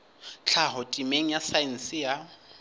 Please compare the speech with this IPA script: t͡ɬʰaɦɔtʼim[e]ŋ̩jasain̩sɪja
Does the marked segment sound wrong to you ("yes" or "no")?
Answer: no